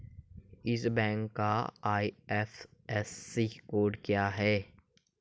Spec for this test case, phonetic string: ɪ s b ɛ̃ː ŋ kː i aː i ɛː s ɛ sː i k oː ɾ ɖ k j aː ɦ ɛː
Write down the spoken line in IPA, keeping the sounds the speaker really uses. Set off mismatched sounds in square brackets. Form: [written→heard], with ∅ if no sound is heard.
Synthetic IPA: ɪ s b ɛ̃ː ŋ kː [i→a] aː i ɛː [s→f] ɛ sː i k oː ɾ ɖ k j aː ɦ ɛː